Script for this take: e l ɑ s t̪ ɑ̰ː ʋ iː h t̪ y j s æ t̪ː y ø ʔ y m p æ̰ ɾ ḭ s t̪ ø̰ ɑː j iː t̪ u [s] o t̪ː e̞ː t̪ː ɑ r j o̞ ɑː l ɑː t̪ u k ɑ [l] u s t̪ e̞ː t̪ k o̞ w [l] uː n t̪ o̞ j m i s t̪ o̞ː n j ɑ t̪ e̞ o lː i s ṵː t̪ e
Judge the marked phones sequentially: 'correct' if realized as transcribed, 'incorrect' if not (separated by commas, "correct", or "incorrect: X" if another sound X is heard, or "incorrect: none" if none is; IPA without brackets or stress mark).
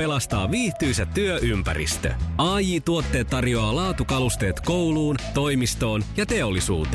incorrect: none, correct, correct